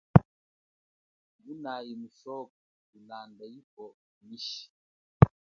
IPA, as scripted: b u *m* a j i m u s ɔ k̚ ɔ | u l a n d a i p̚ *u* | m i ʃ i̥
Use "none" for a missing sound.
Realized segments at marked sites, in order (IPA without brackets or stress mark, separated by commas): n, ɔ